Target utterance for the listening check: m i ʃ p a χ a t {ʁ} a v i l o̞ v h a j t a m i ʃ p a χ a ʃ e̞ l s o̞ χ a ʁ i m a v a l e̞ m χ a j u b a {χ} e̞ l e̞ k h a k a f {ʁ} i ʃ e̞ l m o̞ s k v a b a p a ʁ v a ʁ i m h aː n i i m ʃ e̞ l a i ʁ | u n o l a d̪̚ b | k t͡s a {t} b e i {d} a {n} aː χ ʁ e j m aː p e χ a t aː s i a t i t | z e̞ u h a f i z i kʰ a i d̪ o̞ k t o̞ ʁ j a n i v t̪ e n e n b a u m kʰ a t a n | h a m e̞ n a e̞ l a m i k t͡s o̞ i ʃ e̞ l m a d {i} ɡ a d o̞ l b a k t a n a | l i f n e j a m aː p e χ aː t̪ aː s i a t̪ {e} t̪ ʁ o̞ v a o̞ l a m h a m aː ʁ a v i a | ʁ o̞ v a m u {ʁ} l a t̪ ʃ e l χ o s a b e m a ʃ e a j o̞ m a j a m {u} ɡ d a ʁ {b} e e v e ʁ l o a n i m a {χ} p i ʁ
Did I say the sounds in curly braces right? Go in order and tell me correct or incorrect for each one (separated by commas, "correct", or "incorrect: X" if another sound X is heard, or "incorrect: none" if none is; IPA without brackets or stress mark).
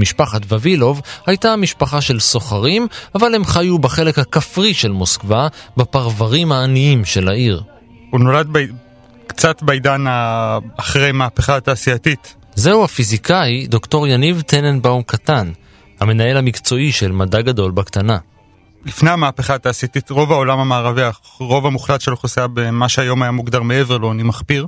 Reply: incorrect: v, correct, correct, correct, correct, correct, incorrect: a, incorrect: i, incorrect: χ, correct, incorrect: m, correct